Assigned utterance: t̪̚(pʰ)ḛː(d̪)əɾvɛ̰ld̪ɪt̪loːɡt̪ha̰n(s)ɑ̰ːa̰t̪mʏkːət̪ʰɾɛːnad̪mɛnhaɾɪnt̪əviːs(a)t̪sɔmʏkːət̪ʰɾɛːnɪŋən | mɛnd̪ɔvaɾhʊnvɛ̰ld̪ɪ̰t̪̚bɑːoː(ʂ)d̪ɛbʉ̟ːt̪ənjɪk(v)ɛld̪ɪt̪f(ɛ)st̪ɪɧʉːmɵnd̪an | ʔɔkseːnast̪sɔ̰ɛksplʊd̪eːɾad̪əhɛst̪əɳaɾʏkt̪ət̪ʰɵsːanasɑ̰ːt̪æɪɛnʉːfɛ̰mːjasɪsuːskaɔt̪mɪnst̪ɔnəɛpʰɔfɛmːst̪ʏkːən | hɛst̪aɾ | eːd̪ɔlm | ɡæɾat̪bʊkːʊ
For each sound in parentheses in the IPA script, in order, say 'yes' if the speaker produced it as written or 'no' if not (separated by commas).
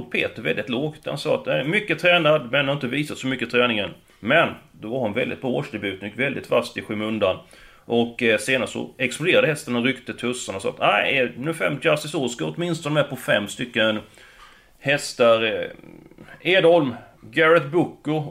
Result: yes, no, yes, yes, yes, yes, no